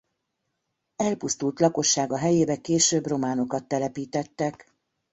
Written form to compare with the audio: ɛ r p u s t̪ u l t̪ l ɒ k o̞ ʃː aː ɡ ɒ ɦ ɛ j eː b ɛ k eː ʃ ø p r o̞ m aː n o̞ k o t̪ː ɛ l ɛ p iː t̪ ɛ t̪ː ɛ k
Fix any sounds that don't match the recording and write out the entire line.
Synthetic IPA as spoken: ɛ l p u s t̪ u l t̪ l ɒ k o̞ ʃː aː ɡ ɒ ɦ ɛ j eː b ɛ k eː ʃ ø b r o̞ m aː n o̞ k ɒ t̪ː ɛ l ɛ p iː t̪ ɛ t̪ː ɛ k